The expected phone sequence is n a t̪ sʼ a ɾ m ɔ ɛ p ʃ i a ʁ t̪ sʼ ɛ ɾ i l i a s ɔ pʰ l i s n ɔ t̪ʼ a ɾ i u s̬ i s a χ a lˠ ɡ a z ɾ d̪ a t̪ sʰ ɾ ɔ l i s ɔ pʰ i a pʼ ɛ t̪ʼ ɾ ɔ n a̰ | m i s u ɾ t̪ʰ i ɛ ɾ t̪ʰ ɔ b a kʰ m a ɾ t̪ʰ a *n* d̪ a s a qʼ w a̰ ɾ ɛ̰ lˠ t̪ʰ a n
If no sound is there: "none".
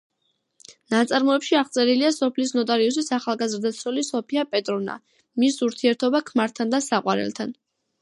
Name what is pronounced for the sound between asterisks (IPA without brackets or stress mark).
n